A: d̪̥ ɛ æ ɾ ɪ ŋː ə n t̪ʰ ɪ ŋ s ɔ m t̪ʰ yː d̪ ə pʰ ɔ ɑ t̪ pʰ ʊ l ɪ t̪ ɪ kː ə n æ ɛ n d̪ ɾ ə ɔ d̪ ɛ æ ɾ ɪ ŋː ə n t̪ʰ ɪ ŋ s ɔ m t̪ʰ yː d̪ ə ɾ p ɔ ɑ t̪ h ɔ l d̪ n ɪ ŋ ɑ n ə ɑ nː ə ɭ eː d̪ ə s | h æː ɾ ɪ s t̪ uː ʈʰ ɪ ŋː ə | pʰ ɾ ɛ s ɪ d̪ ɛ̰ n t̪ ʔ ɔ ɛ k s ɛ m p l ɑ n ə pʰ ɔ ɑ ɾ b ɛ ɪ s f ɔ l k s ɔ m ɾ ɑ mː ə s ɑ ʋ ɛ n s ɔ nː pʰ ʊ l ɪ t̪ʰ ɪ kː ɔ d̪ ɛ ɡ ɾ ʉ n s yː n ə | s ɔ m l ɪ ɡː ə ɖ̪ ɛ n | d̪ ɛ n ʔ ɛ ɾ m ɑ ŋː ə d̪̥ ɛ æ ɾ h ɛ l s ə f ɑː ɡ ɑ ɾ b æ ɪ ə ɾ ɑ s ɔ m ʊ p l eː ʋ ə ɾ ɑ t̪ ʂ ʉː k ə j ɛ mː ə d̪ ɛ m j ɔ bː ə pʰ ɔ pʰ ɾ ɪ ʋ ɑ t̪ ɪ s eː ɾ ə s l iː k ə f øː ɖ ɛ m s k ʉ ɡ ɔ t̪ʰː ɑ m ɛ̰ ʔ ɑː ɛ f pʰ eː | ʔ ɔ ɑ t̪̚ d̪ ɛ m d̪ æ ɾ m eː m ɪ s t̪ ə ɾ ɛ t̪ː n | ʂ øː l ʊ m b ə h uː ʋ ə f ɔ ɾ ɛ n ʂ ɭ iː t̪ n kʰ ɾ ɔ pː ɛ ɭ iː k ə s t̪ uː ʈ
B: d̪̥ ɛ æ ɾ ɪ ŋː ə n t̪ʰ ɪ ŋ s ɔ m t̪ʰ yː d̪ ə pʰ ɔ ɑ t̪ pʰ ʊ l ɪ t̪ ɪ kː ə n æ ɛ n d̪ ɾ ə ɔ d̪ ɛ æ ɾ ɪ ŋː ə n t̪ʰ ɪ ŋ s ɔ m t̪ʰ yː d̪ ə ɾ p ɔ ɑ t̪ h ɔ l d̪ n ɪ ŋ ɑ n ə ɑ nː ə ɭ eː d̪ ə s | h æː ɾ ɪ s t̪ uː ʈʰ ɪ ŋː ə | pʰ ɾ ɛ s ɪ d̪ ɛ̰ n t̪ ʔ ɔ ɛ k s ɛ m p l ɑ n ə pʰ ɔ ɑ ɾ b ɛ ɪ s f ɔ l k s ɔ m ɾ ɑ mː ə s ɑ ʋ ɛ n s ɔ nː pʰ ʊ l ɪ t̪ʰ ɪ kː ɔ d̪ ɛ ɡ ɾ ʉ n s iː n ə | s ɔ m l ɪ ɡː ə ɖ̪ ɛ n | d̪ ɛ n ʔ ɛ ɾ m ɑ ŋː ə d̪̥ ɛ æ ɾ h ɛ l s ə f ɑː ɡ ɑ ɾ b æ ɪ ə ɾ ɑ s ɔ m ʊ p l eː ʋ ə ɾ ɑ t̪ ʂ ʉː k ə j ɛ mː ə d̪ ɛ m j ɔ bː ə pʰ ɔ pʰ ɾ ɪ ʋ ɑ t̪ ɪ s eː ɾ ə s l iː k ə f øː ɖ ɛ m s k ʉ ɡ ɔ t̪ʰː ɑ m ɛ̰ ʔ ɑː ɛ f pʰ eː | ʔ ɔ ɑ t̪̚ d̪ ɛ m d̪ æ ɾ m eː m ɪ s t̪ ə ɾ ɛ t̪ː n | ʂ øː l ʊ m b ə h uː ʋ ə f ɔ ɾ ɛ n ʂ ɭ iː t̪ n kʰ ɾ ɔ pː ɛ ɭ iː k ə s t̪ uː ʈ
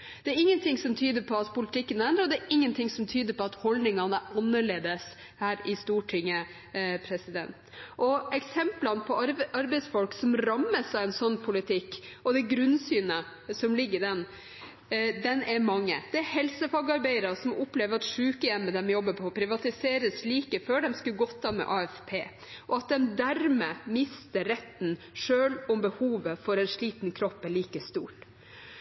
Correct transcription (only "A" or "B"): A